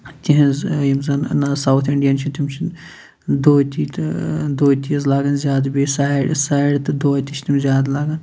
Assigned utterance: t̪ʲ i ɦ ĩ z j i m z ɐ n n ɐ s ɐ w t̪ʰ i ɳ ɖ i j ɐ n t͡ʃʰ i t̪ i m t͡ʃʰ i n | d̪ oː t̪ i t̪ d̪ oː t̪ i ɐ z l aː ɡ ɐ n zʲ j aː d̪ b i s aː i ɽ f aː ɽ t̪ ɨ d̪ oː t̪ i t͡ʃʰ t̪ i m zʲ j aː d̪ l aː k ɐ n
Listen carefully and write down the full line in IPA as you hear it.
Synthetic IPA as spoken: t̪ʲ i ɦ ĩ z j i m z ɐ n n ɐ s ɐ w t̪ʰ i ɳ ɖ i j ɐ n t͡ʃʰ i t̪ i m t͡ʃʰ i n | d̪ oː t̪ i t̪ d̪ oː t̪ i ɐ z l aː ɡ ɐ n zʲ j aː d̪ b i s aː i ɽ s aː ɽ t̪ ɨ d̪ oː t̪ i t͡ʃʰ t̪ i m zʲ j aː d̪ l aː ɡ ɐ n